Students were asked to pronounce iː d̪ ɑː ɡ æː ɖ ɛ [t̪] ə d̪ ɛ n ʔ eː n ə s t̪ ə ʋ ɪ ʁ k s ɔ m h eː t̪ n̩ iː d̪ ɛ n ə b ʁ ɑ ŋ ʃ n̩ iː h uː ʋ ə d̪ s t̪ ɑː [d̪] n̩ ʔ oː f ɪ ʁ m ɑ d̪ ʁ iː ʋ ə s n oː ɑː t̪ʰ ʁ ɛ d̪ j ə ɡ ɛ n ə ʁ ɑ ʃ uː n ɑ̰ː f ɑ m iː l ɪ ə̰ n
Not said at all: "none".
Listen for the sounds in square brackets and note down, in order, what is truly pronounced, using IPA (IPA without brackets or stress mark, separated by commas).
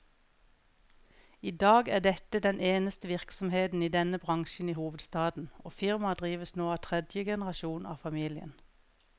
t̪, d̪